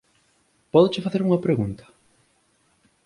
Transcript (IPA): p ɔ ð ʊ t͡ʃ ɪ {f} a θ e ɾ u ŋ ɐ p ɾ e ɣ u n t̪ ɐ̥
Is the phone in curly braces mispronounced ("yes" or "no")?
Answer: no